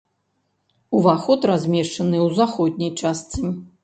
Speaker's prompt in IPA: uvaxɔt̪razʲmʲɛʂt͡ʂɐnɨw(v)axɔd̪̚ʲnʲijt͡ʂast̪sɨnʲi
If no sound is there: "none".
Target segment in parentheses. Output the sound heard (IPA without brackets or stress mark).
z